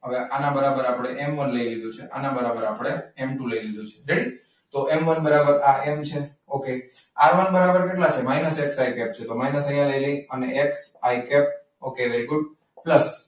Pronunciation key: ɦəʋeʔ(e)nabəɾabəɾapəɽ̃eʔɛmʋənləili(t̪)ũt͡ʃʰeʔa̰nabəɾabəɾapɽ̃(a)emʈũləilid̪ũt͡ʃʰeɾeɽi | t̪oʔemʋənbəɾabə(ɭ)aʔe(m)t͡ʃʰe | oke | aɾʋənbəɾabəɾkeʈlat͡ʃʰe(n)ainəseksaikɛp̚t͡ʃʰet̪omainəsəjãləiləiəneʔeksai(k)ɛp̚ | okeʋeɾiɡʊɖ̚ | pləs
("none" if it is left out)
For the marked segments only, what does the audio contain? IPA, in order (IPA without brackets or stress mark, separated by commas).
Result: a, d̪, e, ɾ, m, m, k